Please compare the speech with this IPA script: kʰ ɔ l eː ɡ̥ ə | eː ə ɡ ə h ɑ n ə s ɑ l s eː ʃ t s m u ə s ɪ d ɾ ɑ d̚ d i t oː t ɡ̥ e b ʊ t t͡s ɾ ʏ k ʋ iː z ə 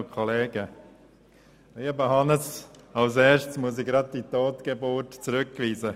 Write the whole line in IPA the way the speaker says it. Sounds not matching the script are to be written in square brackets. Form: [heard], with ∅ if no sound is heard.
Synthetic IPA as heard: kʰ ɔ l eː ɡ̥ ə | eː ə [b] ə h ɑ n ə s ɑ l s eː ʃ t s m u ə s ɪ [ɡ] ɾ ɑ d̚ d i t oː t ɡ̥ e b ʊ t t͡s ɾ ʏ k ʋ iː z ə